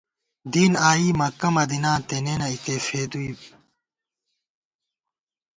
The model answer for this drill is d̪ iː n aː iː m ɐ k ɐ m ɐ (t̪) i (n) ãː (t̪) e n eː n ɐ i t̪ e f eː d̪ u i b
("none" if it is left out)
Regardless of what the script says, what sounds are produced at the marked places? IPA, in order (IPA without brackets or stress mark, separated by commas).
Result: d̪, n, t̪